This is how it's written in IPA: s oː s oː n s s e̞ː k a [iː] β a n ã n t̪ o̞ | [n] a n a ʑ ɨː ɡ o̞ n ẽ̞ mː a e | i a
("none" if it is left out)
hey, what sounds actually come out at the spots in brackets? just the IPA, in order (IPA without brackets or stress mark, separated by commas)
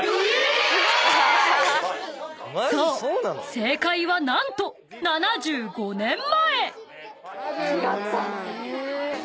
i, n